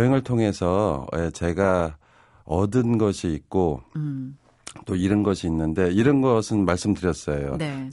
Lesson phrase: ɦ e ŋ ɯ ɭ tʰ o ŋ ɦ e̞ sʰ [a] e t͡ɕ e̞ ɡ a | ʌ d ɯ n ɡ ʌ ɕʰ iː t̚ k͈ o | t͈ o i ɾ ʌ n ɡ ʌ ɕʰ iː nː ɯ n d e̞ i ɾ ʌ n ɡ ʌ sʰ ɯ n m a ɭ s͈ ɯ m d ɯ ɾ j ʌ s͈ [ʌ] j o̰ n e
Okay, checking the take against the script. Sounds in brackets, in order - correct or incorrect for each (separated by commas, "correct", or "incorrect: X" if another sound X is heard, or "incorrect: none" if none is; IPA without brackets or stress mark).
incorrect: ʌ, correct